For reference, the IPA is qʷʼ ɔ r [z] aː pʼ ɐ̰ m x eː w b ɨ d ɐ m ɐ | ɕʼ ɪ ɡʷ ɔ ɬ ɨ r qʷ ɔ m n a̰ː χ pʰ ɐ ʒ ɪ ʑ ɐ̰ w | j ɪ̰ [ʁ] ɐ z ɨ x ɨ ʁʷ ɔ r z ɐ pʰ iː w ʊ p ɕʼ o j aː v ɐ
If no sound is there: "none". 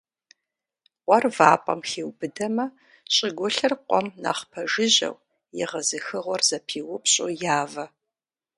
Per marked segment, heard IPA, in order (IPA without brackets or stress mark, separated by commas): v, ʁ